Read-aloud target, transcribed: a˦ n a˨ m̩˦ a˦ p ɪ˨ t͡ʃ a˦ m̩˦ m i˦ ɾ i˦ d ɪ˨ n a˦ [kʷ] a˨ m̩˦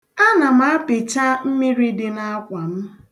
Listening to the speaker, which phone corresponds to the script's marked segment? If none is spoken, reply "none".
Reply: kʷ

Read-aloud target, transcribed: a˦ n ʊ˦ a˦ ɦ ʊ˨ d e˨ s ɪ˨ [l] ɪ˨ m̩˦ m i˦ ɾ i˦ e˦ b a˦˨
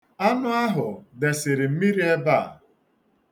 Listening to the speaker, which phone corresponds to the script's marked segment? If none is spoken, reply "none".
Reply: ɾ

